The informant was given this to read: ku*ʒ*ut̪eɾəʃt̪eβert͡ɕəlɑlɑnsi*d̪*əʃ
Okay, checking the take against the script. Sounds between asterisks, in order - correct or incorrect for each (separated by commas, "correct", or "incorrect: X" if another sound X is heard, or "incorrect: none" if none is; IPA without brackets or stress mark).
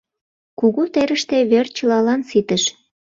incorrect: ɣ, incorrect: t̪